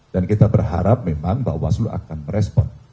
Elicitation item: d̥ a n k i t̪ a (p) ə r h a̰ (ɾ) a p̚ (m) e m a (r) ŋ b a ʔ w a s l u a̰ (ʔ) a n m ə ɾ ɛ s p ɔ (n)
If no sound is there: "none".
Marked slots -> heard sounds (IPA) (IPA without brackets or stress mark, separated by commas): b, ɾ, m, none, k, n